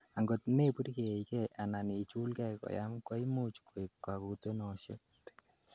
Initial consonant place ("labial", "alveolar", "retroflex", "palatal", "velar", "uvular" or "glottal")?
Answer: velar